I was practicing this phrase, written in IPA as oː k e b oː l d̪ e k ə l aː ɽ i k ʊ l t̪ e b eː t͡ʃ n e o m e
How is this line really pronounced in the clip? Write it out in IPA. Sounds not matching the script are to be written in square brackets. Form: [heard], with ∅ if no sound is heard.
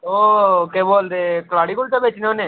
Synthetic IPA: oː k e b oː l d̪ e k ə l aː ɽ i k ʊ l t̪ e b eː t͡ʃ n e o [n] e